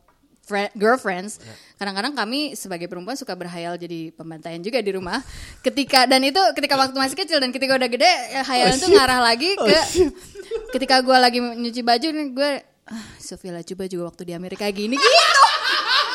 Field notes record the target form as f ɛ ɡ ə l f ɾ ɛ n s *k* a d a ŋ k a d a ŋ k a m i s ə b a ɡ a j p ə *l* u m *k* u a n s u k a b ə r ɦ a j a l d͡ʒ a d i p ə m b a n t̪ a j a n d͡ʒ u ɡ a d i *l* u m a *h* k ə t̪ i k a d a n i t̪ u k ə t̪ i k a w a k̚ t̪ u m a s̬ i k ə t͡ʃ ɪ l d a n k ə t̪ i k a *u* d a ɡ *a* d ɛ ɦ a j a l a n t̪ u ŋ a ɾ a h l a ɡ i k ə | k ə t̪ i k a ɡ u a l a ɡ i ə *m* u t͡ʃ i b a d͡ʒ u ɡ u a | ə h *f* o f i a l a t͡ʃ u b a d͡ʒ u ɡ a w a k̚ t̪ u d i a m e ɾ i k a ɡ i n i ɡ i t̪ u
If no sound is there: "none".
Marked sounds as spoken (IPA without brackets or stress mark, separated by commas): k, ɾ, p, ɾ, h, u, ə, ɲ, s